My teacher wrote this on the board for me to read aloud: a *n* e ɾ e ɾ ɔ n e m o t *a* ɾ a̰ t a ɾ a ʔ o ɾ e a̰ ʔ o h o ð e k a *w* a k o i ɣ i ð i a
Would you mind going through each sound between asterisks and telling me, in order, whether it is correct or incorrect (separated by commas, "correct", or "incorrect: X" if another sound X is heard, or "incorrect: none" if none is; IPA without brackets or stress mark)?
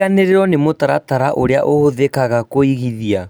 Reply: correct, correct, incorrect: ɣ